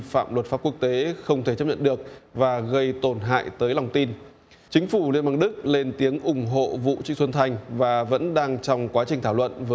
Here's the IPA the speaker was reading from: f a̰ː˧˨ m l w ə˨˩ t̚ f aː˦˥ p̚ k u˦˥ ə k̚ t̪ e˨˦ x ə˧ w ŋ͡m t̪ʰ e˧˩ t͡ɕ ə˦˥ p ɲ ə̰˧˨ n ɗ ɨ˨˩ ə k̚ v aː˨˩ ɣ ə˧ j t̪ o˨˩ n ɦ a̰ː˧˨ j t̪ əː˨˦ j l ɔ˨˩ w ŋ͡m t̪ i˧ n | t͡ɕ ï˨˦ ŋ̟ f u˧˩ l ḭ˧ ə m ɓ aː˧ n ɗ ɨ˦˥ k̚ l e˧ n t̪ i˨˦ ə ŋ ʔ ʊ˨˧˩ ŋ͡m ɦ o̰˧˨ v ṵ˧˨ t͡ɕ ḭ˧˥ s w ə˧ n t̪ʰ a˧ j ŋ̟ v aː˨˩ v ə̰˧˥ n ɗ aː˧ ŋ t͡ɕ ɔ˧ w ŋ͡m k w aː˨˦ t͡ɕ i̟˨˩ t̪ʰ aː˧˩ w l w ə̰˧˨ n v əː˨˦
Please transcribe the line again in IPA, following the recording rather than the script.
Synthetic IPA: f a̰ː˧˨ m l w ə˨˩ t̚ f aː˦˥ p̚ k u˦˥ ə k̚ t̪ e˨˦ x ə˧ w ŋ͡m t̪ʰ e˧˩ t͡ɕ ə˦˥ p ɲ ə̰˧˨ n ɗ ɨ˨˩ ə k̚ v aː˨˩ ɣ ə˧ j t̪ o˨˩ n ɦ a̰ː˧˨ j t̪ əː˨˦ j l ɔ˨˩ w ŋ͡m t̪ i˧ n | t͡ɕ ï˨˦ ŋ̟ f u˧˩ l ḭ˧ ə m ɓ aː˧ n ɗ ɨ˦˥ k̚ l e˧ n t̪ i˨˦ ə ŋ ʔ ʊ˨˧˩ ŋ͡m ɦ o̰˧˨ v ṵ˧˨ t͡ɕ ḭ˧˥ s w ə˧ n t̪ʰ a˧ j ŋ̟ v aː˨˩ v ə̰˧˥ n ɗ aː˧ ŋ t͡ɕ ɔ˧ w ŋ͡m k w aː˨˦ t͡ɕ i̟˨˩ t̪ʰ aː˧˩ w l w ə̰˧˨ n v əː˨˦